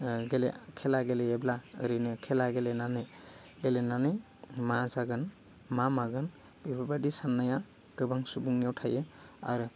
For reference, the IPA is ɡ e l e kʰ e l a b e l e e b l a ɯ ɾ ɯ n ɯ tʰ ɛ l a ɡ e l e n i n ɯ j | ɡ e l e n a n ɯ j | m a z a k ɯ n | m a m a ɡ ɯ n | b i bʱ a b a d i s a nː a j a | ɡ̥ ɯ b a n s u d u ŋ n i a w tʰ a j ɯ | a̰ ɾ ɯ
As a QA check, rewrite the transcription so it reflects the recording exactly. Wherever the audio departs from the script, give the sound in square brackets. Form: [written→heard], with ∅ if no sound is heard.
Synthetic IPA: ɡ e l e kʰ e l a [b→ɡ] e l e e b l a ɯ ɾ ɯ n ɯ [tʰ→kʰ] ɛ l a ɡ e l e n [i→a] n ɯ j | ɡ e l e n a n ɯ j | m a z a [k→ɡ] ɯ n | m a m a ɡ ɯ n | b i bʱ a b a d i s a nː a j a | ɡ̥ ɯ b a [n→ŋ] s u [d→b] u ŋ n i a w tʰ a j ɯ | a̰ ɾ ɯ